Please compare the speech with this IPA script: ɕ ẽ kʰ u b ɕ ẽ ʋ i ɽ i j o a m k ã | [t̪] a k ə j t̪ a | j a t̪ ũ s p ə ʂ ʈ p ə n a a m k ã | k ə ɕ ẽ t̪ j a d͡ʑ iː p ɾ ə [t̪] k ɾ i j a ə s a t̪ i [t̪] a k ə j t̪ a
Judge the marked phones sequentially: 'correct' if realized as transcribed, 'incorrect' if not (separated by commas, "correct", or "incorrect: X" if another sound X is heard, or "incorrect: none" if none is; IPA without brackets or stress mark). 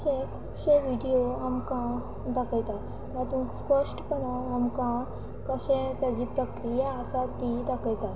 incorrect: d̪, incorrect: none, incorrect: d̪